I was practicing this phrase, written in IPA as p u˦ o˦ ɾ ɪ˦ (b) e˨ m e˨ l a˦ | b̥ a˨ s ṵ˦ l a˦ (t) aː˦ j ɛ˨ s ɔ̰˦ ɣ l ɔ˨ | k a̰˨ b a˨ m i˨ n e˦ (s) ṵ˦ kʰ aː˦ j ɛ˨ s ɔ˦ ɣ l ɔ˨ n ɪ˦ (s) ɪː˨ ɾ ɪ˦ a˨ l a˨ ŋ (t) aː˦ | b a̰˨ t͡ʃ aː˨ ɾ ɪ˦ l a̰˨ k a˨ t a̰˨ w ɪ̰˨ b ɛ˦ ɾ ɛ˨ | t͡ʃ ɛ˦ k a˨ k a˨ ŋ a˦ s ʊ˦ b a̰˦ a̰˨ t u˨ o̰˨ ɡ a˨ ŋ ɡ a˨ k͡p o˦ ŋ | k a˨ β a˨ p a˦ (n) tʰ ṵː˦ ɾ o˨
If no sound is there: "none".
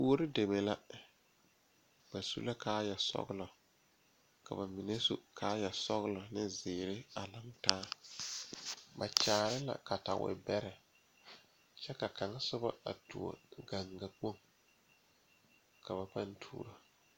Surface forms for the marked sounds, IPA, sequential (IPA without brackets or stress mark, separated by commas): d, k, s, z, t, n